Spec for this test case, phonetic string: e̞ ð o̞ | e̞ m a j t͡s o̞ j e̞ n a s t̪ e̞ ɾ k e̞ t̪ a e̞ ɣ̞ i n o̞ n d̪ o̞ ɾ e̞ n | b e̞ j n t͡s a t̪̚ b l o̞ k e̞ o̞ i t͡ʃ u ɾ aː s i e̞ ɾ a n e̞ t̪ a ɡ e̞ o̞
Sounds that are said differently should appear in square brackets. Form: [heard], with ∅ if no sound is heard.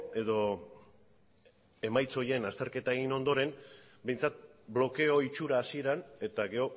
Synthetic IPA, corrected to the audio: e̞ ð o̞ | e̞ m a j t͡s o̞ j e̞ n a s t̪ e̞ ɾ k e̞ t̪ a e̞ ɣ̞ i n o̞ n d̪ o̞ ɾ e̞ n | b e̞ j n t͡s a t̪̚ b l o̞ k e̞ o̞ i t͡ʃ u ɾ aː s i e̞ ɾ a n e̞ t̪ a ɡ e̞ o̞